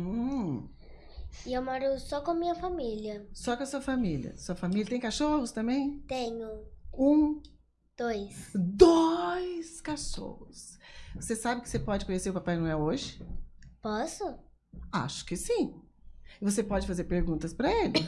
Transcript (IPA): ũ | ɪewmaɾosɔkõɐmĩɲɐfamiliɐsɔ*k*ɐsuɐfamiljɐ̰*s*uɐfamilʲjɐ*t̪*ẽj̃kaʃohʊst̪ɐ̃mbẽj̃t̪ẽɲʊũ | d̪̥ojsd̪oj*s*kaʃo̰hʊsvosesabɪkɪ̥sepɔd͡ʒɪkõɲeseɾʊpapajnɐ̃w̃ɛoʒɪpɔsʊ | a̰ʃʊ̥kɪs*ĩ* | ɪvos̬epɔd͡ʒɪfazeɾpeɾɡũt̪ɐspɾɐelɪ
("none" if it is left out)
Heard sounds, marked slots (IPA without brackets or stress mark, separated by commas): k, s, t̪, s, ĩ